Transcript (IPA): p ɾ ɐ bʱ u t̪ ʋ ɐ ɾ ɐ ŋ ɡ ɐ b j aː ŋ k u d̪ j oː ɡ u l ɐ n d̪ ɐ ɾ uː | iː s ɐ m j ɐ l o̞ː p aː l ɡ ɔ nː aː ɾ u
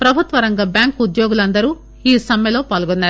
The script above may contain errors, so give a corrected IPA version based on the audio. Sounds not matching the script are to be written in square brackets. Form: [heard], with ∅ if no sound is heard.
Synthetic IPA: p ɾ ɐ bʱ u t̪ ʋ ɐ ɾ ɐ ŋ ɡ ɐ b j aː ŋ k u d̪ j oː ɡ u l ɐ n d̪ ɐ ɾ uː | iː s ɐ m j ɐ l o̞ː p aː l ɡ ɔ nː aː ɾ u